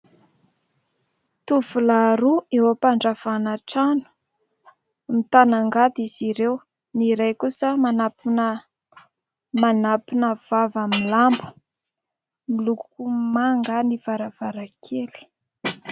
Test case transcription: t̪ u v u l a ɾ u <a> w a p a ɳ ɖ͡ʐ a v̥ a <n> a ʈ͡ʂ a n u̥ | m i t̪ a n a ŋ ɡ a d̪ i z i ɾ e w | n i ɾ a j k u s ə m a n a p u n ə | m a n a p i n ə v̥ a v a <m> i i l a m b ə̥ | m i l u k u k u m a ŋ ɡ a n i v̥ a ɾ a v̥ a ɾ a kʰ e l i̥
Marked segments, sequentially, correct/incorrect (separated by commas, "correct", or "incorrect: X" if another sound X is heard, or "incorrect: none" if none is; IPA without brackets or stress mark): incorrect: e, correct, correct